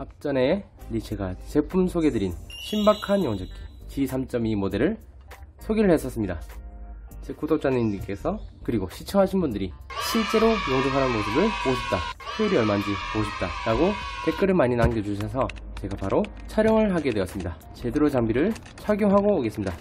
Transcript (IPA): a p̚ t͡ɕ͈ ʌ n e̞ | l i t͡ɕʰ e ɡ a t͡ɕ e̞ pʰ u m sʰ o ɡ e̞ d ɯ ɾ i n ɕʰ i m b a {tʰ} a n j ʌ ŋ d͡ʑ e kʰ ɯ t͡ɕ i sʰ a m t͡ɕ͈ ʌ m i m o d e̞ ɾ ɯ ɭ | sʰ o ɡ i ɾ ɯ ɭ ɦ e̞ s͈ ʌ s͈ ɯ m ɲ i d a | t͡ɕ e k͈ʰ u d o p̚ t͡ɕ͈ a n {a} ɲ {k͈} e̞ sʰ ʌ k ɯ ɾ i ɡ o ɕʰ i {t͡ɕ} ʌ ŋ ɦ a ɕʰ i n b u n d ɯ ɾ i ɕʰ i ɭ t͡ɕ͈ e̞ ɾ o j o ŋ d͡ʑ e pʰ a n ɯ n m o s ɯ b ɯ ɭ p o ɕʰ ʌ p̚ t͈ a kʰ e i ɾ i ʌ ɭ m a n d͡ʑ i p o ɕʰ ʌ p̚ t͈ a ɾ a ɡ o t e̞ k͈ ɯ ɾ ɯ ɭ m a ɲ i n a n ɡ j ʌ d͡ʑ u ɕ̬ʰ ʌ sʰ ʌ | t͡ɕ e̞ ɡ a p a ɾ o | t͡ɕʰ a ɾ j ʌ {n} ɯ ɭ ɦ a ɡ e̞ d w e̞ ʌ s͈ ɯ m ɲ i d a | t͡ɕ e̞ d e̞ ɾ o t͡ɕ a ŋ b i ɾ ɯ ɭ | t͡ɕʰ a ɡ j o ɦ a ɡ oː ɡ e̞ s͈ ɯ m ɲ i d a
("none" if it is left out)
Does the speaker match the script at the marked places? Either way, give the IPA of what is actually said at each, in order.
kʰ, i, k͈, t͡ɕʰ, ŋ

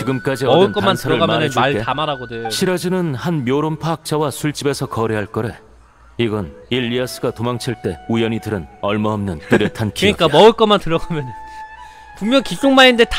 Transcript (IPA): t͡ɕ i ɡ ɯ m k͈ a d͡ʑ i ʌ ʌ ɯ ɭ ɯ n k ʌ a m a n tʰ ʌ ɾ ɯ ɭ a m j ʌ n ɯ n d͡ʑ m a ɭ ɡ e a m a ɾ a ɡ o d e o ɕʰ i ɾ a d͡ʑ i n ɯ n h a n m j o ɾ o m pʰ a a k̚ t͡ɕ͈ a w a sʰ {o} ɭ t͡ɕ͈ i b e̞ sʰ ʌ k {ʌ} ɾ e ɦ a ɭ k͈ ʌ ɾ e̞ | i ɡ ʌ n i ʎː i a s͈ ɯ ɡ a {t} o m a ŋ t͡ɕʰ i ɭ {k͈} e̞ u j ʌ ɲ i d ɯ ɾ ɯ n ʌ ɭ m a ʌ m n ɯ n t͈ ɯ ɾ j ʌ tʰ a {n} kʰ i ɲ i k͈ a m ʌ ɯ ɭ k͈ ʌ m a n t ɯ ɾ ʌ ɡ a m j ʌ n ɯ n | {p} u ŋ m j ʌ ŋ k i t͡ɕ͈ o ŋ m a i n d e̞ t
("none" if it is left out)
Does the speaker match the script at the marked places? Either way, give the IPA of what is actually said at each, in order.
u, ʌ, t, t͈, n, p

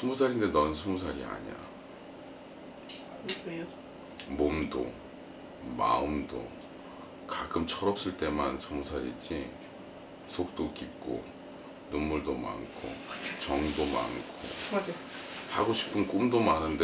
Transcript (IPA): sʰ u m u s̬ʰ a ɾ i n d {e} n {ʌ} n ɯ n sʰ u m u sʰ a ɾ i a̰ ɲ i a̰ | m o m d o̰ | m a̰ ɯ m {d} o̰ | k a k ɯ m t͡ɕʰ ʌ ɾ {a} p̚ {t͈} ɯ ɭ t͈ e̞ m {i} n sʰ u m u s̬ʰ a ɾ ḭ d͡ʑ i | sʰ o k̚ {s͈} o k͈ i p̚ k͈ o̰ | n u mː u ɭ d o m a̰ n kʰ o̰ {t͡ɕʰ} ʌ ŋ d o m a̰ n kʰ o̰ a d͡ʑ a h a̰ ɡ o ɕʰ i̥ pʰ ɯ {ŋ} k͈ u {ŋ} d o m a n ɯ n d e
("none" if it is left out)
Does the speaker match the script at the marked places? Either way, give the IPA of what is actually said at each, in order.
e, ʌ, d, ʌ, s͈, a, t͈, t͡ɕ, n, m

